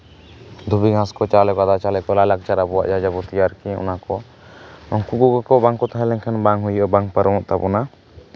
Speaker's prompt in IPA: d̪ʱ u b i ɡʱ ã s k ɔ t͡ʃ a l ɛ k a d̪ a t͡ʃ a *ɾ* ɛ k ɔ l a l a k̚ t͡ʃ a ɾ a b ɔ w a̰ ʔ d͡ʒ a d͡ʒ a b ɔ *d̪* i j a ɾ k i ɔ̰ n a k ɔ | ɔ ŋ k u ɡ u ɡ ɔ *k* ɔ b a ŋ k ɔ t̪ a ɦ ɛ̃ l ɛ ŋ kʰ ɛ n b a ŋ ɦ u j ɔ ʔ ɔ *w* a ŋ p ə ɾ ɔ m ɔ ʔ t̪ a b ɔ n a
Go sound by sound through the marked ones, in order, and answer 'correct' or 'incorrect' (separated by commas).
incorrect, incorrect, correct, incorrect